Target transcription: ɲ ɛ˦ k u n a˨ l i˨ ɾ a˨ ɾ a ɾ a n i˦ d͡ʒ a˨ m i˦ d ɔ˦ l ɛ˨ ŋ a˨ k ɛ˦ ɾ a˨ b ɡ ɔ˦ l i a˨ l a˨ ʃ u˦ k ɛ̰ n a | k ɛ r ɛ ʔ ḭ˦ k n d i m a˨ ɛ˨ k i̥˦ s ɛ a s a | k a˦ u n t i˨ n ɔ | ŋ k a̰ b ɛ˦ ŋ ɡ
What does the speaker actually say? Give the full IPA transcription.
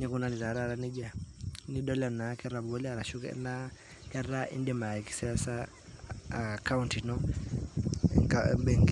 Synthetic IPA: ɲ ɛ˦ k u n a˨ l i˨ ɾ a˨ ɾ a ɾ a n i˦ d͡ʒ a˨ n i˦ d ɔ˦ l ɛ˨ n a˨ k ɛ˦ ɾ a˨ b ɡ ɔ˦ l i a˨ ɾ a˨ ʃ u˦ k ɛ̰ n a | k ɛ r a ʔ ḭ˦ n d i m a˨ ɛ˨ k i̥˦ s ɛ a s a | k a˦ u n t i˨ n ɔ | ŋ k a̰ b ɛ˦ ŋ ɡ